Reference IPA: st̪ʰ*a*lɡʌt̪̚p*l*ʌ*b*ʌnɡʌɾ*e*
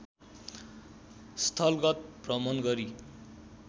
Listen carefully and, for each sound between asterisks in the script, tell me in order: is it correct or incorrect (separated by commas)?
incorrect, incorrect, incorrect, incorrect